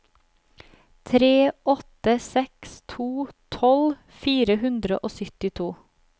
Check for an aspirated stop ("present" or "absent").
present